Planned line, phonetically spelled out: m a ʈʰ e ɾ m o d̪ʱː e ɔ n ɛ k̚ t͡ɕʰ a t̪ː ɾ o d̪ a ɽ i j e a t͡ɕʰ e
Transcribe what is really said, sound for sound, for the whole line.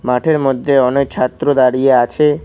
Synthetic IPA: m a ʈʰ e ɾ m o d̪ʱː e ɔ n e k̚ t͡ɕʰ a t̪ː ɾ o d̪ a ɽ i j e a t͡ɕʰ e